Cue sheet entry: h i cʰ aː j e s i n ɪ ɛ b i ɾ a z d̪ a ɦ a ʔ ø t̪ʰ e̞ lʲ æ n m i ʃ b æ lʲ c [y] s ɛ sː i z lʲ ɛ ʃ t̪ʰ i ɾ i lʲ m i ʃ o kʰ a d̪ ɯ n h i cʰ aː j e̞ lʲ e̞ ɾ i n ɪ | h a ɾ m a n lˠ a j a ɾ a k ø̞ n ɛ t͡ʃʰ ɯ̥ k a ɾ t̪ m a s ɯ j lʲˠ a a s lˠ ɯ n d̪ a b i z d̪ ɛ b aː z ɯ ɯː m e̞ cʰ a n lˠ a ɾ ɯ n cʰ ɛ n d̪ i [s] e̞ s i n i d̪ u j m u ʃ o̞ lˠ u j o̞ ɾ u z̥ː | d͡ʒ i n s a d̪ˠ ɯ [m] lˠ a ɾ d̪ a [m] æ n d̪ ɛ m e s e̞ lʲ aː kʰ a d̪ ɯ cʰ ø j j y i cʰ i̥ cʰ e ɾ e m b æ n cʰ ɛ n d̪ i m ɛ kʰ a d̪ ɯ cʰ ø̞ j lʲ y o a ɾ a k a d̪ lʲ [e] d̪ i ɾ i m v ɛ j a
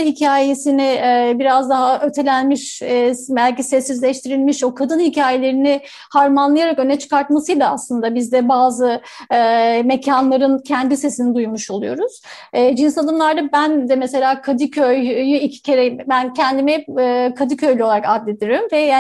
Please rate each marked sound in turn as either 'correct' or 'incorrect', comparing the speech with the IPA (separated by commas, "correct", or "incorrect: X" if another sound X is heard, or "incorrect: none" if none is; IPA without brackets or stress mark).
incorrect: i, correct, correct, incorrect: b, correct